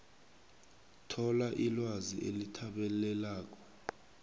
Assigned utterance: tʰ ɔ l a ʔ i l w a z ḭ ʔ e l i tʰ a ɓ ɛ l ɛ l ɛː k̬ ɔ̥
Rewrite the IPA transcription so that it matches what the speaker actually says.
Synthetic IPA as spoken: tʰ ɔ l a ʔ i l w a z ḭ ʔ e l i tʰ a ɓ ɛ l ɛ l aː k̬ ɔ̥